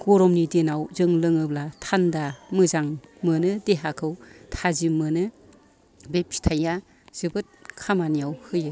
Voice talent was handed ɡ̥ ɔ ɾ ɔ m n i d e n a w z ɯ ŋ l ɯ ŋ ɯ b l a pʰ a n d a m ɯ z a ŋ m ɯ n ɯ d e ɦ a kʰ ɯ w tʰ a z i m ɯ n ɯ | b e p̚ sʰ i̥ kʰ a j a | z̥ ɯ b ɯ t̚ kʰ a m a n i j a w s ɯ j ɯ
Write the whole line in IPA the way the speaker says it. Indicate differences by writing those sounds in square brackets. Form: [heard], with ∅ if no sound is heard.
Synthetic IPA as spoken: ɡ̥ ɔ ɾ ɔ m n i d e n a w z ɯ ŋ l ɯ ŋ ɯ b l a [tʰ] a n d a m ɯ z a ŋ m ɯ n ɯ d e ɦ a kʰ ɯ w tʰ a z i m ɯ n ɯ | b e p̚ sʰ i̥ [tʰ] a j a | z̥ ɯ b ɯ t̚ kʰ a m a n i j a w [h] ɯ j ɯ